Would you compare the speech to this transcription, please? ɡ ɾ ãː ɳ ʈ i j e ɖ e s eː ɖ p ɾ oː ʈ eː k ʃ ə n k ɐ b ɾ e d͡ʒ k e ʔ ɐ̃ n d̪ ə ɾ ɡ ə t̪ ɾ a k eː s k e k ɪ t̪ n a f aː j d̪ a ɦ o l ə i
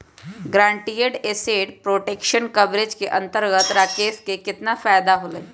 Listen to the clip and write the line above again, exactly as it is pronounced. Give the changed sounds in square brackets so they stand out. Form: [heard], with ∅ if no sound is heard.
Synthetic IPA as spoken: ɡ ɾ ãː ɳ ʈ i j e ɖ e s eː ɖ p ɾ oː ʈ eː k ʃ ə n k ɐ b ɾ e d͡ʒ k e ʔ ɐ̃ n [t̪] ə ɾ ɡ ə t̪ ɾ a k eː s k e k ɪ t̪ n a f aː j d̪ a ɦ o l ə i